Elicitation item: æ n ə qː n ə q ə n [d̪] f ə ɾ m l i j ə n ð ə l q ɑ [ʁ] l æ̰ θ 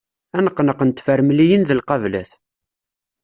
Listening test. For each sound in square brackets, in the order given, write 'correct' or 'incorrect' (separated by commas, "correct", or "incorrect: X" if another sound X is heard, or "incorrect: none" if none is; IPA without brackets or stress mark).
incorrect: t̪, incorrect: v